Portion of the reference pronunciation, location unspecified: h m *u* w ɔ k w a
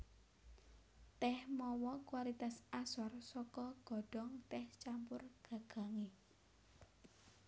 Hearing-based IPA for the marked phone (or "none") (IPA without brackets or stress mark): ɔ